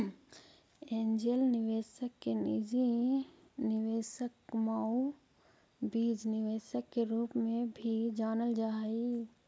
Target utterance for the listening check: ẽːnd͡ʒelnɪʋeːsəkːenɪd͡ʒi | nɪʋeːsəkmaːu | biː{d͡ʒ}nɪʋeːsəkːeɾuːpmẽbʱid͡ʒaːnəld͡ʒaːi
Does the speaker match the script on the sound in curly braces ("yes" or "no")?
yes